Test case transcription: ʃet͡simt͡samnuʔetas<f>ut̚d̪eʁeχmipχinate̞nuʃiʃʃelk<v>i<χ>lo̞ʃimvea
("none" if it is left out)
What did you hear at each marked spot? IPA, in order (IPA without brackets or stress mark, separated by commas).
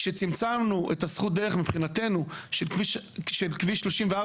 χ, v, ʃ